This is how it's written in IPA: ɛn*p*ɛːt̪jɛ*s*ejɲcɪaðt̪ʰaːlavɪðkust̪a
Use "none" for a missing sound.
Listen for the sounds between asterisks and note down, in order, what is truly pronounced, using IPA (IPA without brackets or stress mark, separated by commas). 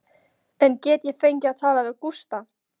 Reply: c, f